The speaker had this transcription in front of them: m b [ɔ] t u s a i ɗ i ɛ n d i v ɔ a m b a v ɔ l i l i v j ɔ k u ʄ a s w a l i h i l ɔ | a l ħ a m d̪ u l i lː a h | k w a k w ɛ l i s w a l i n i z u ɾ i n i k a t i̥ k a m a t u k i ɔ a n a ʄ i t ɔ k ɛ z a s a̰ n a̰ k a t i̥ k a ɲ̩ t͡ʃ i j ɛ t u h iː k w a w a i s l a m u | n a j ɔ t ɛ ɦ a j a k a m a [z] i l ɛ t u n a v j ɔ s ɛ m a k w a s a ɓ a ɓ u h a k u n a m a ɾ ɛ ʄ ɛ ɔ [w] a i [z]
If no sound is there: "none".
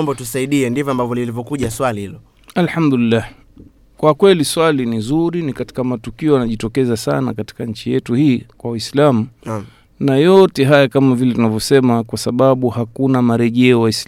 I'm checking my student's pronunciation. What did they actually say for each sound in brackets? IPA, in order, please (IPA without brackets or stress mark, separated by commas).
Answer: ɔ, v, w, s